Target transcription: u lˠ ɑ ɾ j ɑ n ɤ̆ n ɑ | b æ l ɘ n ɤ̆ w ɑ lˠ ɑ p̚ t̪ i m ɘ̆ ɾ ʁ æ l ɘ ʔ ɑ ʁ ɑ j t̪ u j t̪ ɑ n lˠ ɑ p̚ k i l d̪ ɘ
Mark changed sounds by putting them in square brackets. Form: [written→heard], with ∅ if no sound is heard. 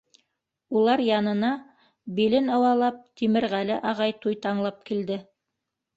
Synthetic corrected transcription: u lˠ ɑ ɾ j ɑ n ɤ̆ n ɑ | b [æ→i] l ɘ n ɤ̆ w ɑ lˠ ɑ p̚ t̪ i m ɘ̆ ɾ ʁ æ l ɘ ʔ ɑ ʁ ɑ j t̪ u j t̪ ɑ [n→ɴ] lˠ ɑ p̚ k i l d̪ ɘ